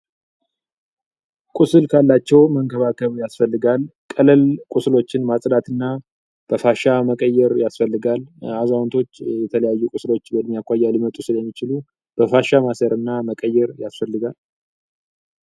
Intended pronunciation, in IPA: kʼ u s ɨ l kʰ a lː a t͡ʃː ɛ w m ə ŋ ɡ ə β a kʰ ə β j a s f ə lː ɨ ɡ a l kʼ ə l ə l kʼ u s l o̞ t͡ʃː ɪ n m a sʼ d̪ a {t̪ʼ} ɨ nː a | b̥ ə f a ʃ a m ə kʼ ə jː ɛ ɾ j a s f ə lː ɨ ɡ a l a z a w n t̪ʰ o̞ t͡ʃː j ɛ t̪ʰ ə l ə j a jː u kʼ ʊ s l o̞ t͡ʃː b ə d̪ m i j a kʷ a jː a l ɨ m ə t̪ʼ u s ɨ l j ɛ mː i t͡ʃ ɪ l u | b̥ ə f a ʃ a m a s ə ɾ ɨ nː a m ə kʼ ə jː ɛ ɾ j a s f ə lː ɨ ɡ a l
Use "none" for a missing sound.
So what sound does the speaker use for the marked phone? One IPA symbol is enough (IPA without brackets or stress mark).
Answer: t̪